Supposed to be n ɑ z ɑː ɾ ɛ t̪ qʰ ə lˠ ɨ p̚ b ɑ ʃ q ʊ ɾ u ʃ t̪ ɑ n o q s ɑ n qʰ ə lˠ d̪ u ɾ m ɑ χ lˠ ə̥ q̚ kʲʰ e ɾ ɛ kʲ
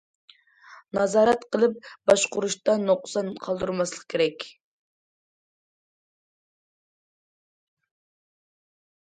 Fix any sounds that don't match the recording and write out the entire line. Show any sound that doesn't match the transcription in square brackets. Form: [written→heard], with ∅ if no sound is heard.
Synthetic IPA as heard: n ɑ z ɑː ɾ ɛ t̪ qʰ ə lˠ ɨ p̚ b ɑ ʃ q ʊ ɾ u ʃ t̪ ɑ n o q s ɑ n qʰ [ə→ɑ] lˠ d̪ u ɾ m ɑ [χ→s] lˠ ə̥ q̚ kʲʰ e ɾ ɛ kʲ